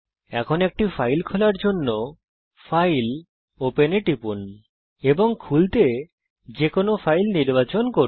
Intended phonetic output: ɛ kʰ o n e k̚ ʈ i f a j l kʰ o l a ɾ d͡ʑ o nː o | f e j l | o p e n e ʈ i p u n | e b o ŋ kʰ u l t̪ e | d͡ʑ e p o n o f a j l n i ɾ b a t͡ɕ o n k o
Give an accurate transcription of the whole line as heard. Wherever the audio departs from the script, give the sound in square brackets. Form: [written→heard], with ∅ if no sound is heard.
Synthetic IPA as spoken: ɛ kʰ o n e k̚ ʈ i f a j l kʰ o l a ɾ d͡ʑ o nː o | f [e→a] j l | o p e n e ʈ i p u n | e b o ŋ kʰ u l t̪ e | d͡ʑ e [p→k] o n o f a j l n i ɾ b a t͡ɕ o n k o